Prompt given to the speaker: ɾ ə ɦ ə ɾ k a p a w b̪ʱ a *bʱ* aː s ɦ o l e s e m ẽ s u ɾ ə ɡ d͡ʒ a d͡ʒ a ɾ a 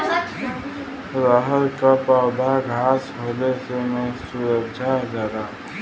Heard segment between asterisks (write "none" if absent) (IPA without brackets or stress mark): ɡʱ